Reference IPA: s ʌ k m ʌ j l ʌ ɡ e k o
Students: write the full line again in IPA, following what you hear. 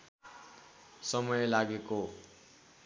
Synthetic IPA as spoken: s ʌ m ʌ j l a ɡ e k o